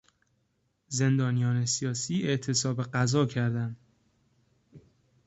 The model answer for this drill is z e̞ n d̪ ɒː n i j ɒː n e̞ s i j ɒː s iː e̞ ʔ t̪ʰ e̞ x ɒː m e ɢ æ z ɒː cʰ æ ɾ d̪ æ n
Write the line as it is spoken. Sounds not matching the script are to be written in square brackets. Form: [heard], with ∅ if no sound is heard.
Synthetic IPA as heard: z e̞ n d̪ ɒː n i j ɒː n e̞ s i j ɒː s iː e̞ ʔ t̪ʰ e̞ [s] ɒː [b] e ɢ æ z ɒː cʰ æ ɾ d̪ æ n